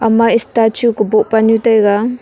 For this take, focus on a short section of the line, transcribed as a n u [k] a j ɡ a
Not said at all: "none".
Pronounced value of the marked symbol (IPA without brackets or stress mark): t